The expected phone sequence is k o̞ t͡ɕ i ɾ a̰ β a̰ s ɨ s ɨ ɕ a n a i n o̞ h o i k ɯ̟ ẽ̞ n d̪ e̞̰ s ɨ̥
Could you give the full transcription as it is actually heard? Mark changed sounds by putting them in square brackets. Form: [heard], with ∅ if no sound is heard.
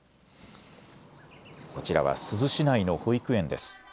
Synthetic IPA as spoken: k o̞ t͡ɕ i ɾ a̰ β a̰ s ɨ [z] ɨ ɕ [i] n a i n o̞ h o i k ɯ̟ ẽ̞ n d̪ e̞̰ s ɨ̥